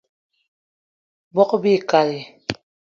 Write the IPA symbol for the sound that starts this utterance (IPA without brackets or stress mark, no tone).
b